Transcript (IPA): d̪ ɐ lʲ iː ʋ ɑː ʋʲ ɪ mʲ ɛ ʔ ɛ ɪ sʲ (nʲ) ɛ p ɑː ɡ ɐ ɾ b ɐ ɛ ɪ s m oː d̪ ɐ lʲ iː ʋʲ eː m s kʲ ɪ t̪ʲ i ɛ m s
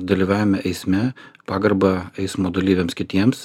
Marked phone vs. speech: incorrect: mʲ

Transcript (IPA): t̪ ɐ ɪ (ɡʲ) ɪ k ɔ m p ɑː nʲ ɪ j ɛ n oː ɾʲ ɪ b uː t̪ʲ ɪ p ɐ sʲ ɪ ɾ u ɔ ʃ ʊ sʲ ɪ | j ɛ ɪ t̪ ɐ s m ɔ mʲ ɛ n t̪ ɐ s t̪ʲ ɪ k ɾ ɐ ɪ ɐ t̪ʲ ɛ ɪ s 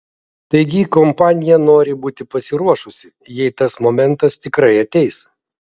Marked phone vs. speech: correct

